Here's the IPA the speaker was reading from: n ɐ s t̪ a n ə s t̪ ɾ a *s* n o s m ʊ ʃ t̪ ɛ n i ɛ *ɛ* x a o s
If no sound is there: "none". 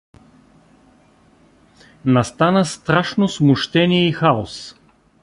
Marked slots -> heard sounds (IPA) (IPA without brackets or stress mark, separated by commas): ʃ, i